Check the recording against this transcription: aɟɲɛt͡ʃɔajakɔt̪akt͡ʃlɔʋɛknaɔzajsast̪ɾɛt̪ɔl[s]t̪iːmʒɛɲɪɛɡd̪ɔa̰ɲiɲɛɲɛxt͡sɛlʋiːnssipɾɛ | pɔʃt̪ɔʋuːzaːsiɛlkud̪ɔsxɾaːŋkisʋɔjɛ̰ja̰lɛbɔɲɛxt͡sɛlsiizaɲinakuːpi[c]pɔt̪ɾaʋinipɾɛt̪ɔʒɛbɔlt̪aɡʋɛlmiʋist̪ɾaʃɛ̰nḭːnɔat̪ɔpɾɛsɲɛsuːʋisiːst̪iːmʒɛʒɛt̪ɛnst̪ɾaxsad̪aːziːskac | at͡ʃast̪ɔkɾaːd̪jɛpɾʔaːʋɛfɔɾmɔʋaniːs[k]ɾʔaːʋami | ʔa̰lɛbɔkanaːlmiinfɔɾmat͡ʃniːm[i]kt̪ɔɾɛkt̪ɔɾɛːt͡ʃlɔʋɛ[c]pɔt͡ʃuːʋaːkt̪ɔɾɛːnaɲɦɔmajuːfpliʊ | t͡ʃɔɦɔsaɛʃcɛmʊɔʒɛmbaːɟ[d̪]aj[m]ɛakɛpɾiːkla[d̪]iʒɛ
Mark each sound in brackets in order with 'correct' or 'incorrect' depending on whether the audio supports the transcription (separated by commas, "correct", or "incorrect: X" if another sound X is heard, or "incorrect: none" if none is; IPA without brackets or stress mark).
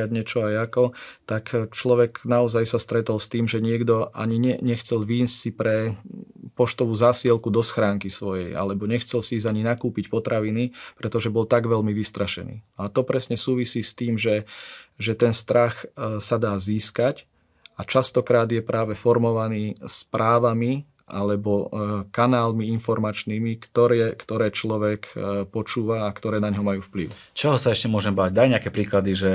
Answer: correct, correct, incorrect: p, correct, incorrect: k, correct, incorrect: ɲ, correct